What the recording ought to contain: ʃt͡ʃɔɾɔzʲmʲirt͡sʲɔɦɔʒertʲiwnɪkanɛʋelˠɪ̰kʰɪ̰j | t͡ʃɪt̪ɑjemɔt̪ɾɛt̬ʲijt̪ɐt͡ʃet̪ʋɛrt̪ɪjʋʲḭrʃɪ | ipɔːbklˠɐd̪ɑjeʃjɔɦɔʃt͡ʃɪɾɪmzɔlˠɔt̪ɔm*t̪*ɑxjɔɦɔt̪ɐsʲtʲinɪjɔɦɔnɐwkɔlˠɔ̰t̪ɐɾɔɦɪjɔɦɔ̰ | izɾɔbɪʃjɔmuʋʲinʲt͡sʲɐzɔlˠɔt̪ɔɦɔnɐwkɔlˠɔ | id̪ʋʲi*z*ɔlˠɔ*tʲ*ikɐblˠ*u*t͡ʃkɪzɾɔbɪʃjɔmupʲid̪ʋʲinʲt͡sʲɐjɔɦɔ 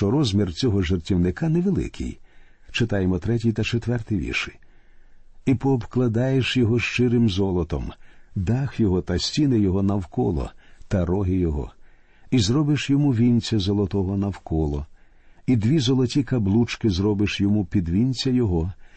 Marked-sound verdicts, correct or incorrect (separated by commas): incorrect, correct, correct, correct